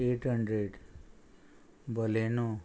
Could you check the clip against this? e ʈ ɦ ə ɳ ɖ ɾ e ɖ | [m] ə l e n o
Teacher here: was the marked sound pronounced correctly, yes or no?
no